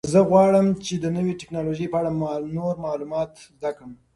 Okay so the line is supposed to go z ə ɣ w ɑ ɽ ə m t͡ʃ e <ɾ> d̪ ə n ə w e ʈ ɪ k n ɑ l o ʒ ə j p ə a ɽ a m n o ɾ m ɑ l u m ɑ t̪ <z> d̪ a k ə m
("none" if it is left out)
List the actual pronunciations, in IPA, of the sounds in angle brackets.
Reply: none, z

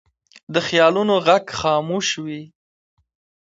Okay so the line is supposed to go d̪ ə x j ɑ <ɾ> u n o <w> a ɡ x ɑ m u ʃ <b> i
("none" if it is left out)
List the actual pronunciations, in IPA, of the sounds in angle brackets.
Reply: l, ɣ, w

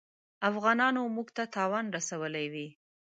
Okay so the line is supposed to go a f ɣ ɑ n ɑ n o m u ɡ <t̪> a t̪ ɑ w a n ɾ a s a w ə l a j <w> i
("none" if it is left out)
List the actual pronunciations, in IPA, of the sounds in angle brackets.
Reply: t̪, w

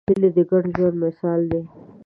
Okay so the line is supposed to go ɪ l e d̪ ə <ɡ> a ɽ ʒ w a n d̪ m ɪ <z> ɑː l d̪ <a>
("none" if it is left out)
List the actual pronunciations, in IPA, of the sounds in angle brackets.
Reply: ɡ, s, e

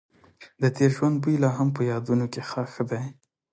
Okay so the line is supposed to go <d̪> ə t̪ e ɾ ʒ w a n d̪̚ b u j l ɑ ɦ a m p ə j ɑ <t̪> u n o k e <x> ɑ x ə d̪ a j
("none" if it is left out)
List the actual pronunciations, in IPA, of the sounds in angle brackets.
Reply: d̪, d̪, x

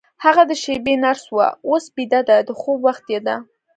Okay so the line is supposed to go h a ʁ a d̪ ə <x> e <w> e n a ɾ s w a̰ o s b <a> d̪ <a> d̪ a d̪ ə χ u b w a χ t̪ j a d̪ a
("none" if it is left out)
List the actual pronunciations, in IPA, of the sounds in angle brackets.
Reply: ʃ, b, i, a

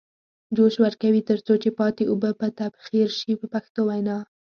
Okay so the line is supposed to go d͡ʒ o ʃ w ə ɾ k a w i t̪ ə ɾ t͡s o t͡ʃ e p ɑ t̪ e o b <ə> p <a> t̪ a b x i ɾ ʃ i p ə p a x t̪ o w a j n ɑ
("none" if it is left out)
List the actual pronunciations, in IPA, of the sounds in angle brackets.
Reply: ə, ə

